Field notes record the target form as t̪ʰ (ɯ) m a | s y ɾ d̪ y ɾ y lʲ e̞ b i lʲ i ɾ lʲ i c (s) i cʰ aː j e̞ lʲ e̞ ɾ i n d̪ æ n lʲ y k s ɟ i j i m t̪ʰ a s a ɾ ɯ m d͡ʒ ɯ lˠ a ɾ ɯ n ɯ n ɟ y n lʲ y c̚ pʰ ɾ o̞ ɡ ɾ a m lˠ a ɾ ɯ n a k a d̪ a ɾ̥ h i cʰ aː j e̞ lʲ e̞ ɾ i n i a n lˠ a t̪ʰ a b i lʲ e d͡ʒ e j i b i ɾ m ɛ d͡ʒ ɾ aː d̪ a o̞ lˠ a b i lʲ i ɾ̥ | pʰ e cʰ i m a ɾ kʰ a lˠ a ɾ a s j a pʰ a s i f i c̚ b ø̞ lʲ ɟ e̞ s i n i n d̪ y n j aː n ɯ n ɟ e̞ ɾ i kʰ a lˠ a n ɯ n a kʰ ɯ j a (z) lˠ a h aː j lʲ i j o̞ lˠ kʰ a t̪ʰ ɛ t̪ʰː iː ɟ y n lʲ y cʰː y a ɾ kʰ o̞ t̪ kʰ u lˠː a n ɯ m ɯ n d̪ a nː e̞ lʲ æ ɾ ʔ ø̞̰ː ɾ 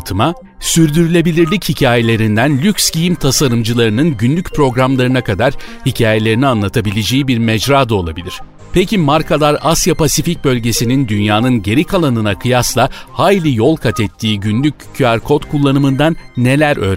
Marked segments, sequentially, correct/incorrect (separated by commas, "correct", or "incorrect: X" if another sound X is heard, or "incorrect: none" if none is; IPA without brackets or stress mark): correct, incorrect: h, incorrect: s